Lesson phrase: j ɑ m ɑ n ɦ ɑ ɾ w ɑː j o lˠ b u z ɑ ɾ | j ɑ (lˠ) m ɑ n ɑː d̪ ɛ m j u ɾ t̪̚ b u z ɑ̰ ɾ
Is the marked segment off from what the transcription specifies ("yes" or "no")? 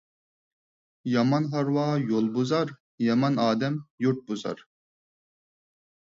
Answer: yes